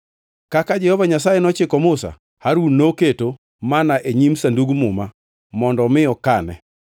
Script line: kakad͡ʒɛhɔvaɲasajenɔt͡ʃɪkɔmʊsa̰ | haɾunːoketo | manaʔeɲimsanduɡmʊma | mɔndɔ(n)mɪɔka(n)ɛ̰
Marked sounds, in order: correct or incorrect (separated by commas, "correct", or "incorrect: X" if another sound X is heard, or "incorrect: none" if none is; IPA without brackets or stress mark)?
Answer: incorrect: none, correct